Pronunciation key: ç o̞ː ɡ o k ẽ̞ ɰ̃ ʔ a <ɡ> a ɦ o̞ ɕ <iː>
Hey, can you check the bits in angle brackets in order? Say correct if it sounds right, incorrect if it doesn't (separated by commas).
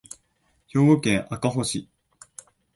incorrect, incorrect